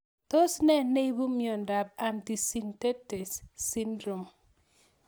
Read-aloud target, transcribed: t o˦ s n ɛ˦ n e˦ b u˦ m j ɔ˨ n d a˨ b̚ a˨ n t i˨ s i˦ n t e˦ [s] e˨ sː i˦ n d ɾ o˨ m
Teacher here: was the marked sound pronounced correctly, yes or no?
no